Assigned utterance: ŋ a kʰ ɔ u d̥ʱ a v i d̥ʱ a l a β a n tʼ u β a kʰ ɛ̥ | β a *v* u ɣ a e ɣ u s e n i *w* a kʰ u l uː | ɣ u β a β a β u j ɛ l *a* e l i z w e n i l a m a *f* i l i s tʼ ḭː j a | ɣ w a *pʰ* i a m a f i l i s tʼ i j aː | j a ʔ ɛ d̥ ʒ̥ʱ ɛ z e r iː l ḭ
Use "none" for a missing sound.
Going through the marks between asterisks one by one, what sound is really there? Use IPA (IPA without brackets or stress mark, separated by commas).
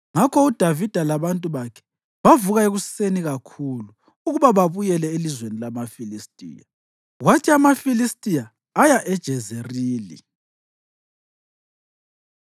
v, ɣ, ɛ, f, tʰ